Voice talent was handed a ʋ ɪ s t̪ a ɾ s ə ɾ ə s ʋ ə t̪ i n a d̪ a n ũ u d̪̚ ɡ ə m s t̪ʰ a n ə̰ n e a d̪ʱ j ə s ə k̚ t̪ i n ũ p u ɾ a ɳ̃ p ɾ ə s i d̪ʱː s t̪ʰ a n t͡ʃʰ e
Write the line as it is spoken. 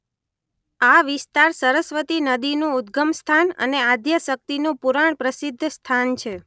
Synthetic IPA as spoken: a ʋ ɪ s t̪ a ɾ s ə ɾ ə s ʋ ə t̪ i n ə d̪ i n ũ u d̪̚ ɡ ə m s t̪ʰ a n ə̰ n e a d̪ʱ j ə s ə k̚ t̪ i n ũ p u ɾ a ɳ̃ p ɾ ə s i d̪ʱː s t̪ʰ a n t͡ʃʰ e